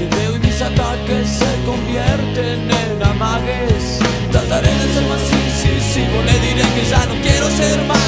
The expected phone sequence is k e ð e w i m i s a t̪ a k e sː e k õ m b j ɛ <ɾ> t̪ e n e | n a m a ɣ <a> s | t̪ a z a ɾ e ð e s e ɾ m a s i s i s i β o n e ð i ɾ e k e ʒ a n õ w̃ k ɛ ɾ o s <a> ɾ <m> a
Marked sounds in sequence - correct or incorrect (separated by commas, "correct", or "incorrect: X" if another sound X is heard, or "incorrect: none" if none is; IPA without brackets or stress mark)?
correct, incorrect: e, incorrect: e, correct